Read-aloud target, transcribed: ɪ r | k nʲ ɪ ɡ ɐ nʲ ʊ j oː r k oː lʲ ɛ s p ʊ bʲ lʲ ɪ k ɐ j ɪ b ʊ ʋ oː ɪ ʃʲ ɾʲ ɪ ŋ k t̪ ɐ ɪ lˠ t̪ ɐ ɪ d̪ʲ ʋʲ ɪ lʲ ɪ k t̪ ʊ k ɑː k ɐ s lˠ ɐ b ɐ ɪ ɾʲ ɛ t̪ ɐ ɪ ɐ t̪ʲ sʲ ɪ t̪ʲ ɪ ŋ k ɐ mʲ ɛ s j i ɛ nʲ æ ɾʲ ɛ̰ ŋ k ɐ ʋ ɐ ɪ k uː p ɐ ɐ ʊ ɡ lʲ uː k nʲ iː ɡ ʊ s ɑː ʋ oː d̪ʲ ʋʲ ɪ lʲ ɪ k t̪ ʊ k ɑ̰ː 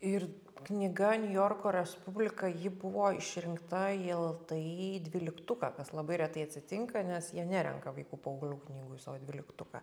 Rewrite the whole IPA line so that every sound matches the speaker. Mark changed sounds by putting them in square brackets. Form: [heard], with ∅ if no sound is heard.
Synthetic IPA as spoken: ɪ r | k nʲ ɪ ɡ ɐ nʲ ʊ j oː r k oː [ɾʲ] ɛ s p ʊ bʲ lʲ ɪ k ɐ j ɪ b ʊ ʋ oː ɪ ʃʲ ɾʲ ɪ ŋ k t̪ ɐ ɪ lˠ t̪ ɐ ɪ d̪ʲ ʋʲ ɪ lʲ ɪ k t̪ ʊ k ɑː k ɐ s lˠ ɐ b ɐ ɪ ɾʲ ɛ t̪ ɐ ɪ ɐ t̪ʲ sʲ ɪ t̪ʲ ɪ ŋ k ɐ [nʲ] ɛ s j i ɛ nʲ æ ɾʲ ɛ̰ ŋ k ɐ ʋ ɐ ɪ k uː p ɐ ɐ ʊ ɡ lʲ uː k nʲ iː ɡ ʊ s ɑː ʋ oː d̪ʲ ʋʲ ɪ lʲ ɪ k t̪ ʊ k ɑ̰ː